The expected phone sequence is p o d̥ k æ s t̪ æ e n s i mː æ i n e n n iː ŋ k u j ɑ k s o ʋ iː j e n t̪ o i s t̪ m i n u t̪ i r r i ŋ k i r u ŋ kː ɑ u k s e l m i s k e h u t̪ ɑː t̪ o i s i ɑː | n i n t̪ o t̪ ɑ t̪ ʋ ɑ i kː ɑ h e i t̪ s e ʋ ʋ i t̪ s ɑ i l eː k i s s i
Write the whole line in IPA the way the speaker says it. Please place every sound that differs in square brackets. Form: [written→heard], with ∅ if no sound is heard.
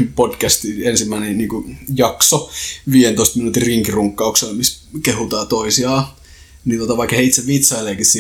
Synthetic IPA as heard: p o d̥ k æ s t̪ [æ→i] e n s i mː æ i n e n n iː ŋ k u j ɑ k s o ʋ iː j e n t̪ o i s t̪ m i n u t̪ i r r i ŋ k i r u ŋ kː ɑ u k s e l m i s k e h u t̪ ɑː t̪ o i s i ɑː | n i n t̪ o t̪ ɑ [t̪→∅] ʋ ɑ i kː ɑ h e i t̪ s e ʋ ʋ i t̪ s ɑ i l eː k i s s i